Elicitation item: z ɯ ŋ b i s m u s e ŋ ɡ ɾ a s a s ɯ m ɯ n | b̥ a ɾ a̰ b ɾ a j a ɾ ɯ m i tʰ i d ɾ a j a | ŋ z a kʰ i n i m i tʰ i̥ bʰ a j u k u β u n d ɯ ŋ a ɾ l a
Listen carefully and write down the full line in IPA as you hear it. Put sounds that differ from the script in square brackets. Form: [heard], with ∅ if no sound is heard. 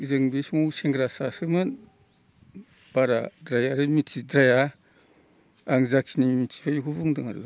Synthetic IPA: z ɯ ŋ b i s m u s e ŋ ɡ ɾ a s a s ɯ m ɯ n | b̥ a ɾ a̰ [d] ɾ a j a ɾ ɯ m i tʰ i d ɾ a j a | ŋ z a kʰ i n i m i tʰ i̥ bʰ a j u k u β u [ŋ] d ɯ ŋ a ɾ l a